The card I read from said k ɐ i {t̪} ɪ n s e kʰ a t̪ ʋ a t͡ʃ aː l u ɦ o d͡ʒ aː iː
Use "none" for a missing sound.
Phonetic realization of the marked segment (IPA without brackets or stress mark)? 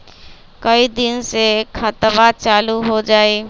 d̪